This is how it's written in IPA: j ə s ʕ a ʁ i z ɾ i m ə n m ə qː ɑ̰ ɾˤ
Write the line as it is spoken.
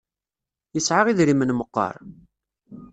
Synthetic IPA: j ə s ʕ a ʁ i ð ɾ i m ə n m ə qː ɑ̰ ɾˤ